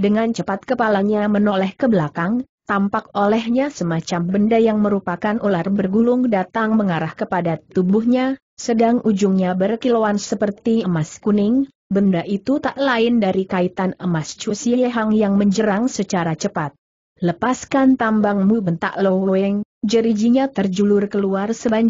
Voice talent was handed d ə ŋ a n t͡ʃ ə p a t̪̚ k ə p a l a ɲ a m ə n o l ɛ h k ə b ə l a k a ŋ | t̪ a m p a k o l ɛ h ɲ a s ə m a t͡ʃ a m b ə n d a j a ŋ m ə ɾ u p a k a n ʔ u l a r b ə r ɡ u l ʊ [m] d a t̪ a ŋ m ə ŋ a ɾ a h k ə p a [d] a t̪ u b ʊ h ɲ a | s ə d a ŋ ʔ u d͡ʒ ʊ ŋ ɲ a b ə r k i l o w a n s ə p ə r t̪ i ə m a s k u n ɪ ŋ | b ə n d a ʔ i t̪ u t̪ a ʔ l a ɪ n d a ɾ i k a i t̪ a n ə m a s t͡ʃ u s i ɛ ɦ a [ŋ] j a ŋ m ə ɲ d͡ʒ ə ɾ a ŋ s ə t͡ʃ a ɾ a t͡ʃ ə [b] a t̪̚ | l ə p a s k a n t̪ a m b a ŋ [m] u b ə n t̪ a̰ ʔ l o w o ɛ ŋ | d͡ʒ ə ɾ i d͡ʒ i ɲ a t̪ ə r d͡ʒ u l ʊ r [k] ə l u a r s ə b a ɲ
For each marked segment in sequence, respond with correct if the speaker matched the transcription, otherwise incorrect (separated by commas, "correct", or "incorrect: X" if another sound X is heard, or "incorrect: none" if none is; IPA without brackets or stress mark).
incorrect: ŋ, correct, correct, incorrect: p, correct, correct